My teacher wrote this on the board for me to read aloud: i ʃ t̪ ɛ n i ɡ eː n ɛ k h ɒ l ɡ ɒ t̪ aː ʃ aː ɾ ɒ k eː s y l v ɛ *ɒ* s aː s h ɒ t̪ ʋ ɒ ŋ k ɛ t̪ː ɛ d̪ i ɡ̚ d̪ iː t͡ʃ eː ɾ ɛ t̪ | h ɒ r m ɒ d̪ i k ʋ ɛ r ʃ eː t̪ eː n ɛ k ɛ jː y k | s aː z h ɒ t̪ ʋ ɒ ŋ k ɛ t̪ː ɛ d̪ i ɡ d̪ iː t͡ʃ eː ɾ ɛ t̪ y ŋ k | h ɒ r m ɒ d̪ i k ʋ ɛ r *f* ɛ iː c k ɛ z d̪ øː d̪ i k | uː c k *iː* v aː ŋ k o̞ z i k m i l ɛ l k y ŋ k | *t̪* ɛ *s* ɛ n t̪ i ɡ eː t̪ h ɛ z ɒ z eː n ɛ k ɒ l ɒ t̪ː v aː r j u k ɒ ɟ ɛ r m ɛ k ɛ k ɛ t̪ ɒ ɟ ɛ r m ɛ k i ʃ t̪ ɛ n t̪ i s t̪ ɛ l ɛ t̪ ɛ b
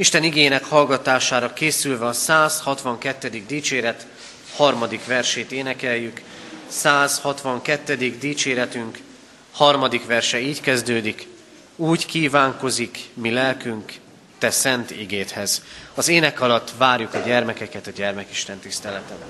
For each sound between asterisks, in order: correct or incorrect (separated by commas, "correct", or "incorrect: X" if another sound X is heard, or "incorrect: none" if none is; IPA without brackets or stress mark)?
correct, incorrect: ʃ, correct, correct, correct